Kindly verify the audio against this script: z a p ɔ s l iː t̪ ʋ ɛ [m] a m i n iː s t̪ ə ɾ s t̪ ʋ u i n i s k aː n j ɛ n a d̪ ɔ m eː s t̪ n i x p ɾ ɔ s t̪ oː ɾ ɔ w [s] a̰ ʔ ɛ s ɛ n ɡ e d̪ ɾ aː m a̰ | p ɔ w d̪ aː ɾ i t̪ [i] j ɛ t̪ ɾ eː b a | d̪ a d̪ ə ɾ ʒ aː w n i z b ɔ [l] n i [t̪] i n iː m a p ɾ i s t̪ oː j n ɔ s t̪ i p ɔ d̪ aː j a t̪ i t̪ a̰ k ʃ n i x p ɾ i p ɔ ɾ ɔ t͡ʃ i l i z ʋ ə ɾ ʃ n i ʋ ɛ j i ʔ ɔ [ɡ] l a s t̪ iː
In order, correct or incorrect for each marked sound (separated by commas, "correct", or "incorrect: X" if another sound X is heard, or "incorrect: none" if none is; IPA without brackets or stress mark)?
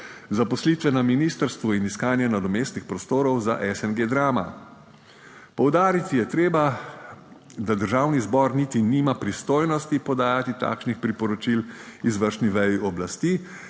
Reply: incorrect: n, incorrect: z, correct, incorrect: ɾ, correct, incorrect: b